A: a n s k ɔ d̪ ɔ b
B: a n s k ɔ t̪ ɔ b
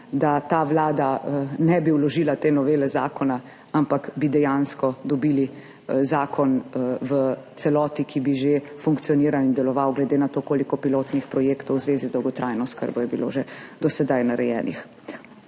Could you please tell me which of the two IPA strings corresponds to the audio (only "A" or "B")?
A